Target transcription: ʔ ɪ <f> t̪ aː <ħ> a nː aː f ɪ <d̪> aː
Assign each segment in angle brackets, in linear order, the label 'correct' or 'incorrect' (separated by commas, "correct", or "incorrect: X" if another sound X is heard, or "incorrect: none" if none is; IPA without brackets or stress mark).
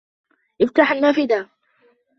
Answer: correct, correct, correct